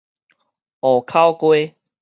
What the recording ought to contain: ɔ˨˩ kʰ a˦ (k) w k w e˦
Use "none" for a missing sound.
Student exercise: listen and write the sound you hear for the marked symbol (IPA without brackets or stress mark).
none